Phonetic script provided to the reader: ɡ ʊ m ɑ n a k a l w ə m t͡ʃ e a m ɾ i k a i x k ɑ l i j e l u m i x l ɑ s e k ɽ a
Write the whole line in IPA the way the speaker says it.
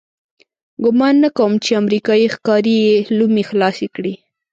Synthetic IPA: ɡ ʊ m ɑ nː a k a w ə m t͡ʃ e a m ɾ i k ɑ i x k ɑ ɾ i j e l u m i x l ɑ s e k ɽ i